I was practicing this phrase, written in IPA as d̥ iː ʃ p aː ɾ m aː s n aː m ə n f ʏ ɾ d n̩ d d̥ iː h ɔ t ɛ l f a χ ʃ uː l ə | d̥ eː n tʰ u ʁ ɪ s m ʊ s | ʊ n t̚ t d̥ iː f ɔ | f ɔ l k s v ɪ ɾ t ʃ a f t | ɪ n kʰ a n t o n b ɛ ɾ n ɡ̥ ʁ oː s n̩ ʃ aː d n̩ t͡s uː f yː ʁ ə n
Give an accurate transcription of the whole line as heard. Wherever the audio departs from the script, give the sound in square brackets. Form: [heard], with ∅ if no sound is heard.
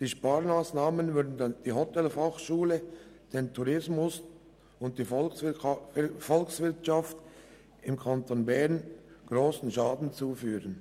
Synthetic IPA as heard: d̥ iː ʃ p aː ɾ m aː s n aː m ə n [v] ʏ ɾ d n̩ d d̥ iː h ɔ t ɛ l f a χ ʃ uː l ə | d̥ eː n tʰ u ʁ ɪ s m ʊ s | ʊ n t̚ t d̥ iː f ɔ | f ɔ l k s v ɪ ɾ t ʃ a f t | ɪ [m] kʰ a n t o n b ɛ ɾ n ɡ̥ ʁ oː s n̩ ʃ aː d n̩ t͡s uː f yː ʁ ə n